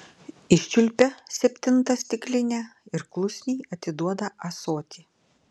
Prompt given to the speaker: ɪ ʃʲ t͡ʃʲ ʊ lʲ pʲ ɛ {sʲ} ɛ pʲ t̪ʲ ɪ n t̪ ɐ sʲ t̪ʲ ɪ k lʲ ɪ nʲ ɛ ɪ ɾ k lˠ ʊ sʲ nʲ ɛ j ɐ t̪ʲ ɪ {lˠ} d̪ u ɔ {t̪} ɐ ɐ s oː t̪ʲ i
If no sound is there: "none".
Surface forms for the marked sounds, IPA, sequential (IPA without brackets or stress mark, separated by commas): sʲ, none, d̪